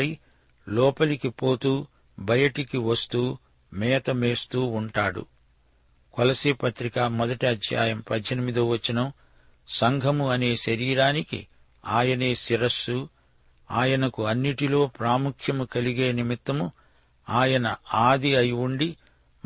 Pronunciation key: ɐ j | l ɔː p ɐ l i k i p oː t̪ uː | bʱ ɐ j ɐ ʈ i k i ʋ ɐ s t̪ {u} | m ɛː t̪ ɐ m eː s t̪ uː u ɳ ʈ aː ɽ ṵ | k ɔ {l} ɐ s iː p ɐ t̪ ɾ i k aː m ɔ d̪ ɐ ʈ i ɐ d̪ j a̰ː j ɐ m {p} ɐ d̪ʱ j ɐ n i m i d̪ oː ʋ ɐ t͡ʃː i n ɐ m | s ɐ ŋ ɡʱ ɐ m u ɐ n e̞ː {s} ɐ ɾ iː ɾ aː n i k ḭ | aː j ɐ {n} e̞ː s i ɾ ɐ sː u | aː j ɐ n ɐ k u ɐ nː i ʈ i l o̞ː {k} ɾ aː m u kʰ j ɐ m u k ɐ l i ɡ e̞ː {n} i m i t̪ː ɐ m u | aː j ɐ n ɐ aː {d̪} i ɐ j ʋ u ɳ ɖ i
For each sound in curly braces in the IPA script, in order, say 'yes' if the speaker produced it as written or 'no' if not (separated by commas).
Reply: no, yes, yes, no, yes, no, yes, yes